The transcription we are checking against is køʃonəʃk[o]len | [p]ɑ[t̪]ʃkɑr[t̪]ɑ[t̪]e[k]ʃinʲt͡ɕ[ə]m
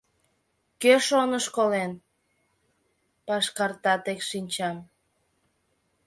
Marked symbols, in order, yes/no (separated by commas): yes, yes, no, yes, yes, yes, no